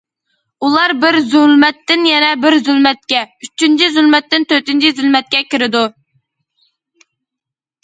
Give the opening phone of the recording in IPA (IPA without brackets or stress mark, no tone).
u